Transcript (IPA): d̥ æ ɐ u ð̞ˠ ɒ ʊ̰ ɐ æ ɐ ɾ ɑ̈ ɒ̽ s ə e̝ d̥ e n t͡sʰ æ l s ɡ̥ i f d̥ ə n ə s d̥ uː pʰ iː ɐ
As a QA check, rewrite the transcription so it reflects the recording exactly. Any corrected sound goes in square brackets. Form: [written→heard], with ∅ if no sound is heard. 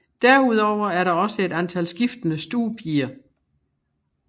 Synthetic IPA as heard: d̥ æ ɐ u ð̞ˠ ɒ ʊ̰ ɐ æ ɐ ɾ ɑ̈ ɒ̽ s ə e̝ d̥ [e→æ] n t͡sʰ æ l s ɡ̥ i f d̥ ə n ə s d̥ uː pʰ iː ɐ

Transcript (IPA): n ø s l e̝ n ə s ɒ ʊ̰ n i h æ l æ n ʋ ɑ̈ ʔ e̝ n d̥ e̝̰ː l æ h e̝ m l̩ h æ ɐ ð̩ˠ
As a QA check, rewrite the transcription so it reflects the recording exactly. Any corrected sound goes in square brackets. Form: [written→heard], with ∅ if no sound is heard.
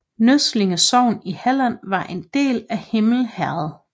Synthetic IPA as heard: n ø s l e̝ [n→ŋ] ə s ɒ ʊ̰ n i h æ l æ n ʋ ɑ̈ ʔ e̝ n d̥ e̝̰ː l æ h e̝ m l̩ h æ ɐ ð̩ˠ

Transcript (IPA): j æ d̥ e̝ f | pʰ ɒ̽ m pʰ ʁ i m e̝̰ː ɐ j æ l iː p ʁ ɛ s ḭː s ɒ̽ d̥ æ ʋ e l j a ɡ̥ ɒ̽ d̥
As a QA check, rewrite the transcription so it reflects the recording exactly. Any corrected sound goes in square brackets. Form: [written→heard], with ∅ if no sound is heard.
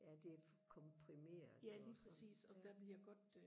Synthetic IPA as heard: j æ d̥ e̝ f | [pʰ→kʰ] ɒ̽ m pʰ ʁ i m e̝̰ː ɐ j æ l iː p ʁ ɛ s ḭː s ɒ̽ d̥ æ ʋ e l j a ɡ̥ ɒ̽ d̥

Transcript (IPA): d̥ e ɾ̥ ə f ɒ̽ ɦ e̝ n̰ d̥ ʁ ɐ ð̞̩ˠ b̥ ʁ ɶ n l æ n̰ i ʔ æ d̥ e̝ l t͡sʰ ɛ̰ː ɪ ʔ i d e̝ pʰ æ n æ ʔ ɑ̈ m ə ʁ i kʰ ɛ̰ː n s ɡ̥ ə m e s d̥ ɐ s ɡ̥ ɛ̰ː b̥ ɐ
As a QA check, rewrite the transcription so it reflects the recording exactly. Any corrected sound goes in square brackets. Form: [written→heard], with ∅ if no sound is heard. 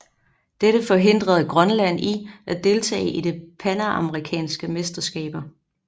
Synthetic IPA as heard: d̥ e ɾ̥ ə f ɒ̽ ɦ e̝ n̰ d̥ ʁ ɐ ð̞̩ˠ [b̥→ɡ̥] ʁ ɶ n l æ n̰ i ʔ æ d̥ e̝ l t͡sʰ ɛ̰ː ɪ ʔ i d e̝ pʰ æ n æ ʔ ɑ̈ m ə ʁ i kʰ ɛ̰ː n s ɡ̥ ə m e s d̥ ɐ s ɡ̥ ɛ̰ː b̥ ɐ

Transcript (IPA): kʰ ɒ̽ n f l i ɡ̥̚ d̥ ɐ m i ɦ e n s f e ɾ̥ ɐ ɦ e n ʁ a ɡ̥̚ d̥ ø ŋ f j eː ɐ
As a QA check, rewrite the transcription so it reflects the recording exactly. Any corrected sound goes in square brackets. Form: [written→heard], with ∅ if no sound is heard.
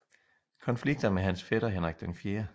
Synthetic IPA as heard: kʰ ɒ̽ n f l i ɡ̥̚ d̥ ɐ m [i→e] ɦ [e→æ] n s f e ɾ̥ ɐ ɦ e n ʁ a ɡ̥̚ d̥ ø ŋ f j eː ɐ

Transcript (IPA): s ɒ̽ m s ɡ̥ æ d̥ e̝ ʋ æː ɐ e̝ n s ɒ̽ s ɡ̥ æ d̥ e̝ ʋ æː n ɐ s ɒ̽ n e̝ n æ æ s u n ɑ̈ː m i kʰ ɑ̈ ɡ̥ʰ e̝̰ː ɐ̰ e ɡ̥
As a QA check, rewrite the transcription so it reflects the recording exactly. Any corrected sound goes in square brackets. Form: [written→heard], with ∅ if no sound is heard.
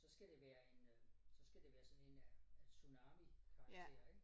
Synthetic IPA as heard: s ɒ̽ [m→∅] s ɡ̥ æ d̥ e̝ ʋ æː ɐ e̝ n s ɒ̽ s ɡ̥ æ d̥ e̝ ʋ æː [n→∅] ɐ s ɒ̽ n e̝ n æ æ s u n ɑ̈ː m i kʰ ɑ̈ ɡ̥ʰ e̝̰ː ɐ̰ e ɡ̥

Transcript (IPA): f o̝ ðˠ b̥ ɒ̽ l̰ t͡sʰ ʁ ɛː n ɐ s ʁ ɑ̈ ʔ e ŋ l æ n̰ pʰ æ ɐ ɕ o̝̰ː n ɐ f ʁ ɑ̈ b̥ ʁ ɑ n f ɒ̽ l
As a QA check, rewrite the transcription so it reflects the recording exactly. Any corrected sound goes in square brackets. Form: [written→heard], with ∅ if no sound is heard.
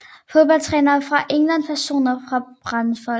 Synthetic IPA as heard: f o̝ ðˠ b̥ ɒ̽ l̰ t͡sʰ ʁ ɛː n ɐ [s→f] ʁ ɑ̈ ʔ e ŋ l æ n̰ pʰ æ ɐ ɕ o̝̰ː n ɐ f ʁ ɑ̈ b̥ ʁ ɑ n f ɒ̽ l

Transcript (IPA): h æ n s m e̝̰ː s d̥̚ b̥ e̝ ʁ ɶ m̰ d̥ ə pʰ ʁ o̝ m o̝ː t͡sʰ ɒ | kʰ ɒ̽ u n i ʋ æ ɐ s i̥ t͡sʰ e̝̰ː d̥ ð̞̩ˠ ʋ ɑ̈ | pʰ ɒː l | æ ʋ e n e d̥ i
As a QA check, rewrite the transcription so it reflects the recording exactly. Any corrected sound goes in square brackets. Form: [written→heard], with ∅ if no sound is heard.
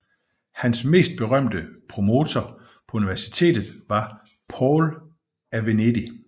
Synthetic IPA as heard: h æ n s m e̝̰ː s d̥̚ b̥ e̝ ʁ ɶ m̰ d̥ ə pʰ ʁ o̝ m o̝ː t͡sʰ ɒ | [kʰ→pʰ] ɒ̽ u n i ʋ æ ɐ s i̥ t͡sʰ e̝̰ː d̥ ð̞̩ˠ ʋ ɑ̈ | pʰ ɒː l | æ ʋ e n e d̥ i

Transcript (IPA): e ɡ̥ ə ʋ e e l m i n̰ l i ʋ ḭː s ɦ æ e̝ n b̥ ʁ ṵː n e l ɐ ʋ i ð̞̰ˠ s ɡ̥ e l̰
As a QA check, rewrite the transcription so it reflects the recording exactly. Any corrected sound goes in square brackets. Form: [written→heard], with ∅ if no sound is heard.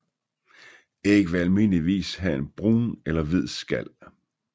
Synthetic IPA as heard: e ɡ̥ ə ʋ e [e→æ] l m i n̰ l i ʋ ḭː s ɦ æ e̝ n b̥ ʁ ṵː n e l ɐ ʋ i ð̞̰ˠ s ɡ̥ [e→æ] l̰

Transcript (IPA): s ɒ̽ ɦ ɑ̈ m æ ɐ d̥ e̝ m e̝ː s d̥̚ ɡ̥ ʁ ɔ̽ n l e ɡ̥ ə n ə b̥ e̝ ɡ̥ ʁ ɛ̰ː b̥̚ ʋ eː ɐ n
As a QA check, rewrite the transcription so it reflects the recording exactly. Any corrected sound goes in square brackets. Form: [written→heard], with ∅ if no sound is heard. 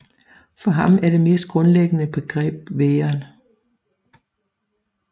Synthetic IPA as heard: [s→f] ɒ̽ ɦ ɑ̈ m æ ɐ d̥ e̝ m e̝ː s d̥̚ ɡ̥ ʁ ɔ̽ n l e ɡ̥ ə n ə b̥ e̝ ɡ̥ ʁ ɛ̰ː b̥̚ ʋ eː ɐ n

